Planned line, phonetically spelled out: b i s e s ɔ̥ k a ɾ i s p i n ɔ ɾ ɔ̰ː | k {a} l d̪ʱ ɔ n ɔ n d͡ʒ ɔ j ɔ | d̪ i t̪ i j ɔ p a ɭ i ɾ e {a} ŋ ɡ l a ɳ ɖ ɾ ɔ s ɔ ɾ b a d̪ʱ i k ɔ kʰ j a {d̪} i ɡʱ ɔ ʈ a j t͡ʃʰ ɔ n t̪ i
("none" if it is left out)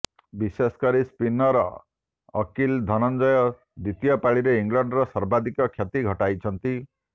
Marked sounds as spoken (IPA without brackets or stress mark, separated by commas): i, i, t̪